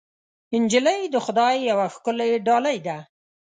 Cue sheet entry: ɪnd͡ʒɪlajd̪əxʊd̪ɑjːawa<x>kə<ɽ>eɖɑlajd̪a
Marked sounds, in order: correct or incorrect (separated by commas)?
correct, incorrect